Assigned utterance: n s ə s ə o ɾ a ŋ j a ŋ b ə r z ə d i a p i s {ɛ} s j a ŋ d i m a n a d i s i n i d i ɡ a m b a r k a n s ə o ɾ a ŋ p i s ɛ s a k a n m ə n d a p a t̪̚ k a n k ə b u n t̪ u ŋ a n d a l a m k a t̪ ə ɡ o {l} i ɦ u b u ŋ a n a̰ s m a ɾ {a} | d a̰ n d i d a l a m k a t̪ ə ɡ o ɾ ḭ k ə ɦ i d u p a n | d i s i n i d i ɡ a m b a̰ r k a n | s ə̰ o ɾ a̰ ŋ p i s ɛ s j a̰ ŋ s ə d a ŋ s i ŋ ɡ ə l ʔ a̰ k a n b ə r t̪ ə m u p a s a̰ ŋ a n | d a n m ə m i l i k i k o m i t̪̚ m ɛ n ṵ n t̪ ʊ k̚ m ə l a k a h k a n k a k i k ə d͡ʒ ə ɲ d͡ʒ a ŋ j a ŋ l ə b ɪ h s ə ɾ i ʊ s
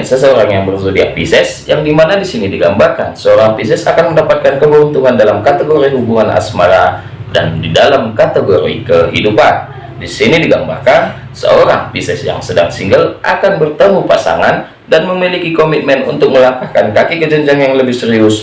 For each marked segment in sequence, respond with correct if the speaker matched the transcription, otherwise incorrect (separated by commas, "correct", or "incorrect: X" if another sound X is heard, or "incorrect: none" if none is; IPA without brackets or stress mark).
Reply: correct, incorrect: ɾ, correct